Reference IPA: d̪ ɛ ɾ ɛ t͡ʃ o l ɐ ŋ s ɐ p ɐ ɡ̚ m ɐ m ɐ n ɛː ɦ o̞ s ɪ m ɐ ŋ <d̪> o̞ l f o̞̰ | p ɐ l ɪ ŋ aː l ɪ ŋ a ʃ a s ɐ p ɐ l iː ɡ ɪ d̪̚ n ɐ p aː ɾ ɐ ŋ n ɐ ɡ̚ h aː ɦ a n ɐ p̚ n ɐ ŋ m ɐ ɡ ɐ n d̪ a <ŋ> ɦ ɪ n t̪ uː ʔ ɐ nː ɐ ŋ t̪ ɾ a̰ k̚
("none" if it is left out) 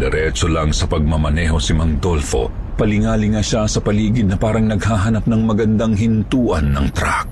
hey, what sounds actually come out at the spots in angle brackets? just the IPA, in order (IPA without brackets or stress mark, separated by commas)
d̪, ŋ